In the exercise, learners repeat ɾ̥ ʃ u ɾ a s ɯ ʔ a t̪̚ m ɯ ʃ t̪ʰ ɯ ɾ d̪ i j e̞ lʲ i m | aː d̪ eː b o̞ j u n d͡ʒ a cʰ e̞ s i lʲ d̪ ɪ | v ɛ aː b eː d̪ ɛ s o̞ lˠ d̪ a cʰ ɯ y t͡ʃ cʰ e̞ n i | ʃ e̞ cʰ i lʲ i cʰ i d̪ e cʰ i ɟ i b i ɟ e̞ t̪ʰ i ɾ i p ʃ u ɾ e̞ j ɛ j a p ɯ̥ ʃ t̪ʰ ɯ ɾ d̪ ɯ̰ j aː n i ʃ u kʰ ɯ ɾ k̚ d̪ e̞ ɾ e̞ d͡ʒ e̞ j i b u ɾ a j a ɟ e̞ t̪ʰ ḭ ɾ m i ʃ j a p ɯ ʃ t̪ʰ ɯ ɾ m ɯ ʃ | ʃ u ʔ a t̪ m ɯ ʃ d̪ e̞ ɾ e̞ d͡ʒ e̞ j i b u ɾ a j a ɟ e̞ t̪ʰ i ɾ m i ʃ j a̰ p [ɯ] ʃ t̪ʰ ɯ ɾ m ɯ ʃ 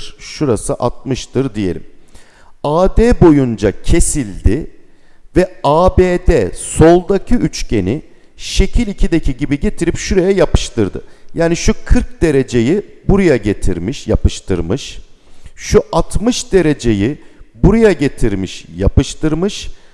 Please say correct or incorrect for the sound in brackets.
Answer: correct